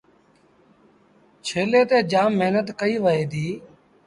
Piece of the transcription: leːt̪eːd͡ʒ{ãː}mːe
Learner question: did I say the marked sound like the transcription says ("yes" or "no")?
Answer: no